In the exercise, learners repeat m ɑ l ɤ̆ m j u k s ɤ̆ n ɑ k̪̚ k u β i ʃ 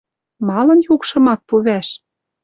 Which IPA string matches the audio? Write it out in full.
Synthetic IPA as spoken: m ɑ l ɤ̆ n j u k ʃ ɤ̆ m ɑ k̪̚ p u β æ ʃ